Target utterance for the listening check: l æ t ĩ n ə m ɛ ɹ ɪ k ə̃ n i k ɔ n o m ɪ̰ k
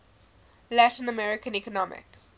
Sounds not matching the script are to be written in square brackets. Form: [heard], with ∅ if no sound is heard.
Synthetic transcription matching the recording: l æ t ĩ n ə m ɛ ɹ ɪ k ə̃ n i k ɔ n [ɔ] m ɪ̰ k